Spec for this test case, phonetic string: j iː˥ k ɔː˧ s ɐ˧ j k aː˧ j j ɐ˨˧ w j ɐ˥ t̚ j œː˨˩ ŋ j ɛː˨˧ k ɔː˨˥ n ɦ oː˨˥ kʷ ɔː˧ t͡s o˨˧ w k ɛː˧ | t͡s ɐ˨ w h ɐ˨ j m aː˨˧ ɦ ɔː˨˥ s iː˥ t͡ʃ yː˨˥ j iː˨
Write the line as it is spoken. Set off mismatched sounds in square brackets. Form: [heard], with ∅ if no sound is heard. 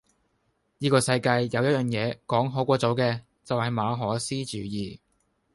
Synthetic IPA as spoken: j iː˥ k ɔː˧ s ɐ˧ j k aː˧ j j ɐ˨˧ w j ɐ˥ t̚ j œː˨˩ ŋ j ɛː˨˧ k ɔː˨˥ [ŋ] ɦ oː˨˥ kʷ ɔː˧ t͡s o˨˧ w k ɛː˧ | t͡s ɐ˨ w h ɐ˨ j m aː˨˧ ɦ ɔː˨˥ s iː˥ t͡ʃ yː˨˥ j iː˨